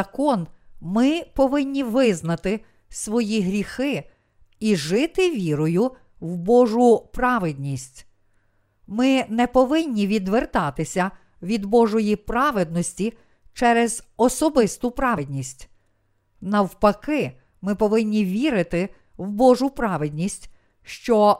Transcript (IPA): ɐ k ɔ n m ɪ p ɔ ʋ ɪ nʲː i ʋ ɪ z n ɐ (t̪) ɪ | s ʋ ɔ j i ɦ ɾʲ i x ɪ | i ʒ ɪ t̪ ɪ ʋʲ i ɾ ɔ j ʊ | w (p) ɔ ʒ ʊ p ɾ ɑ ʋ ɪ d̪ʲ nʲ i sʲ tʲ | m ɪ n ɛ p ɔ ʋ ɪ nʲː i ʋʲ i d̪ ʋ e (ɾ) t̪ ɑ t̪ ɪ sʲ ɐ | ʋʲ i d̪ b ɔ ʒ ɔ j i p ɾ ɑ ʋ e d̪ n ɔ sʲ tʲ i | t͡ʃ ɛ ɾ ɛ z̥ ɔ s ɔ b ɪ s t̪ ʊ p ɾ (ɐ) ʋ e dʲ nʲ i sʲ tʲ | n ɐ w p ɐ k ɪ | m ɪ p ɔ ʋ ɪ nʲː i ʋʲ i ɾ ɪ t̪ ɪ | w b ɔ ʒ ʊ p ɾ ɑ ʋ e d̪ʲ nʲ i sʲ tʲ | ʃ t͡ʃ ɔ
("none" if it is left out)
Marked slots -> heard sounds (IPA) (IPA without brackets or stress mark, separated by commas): t̪, b, r, ɑ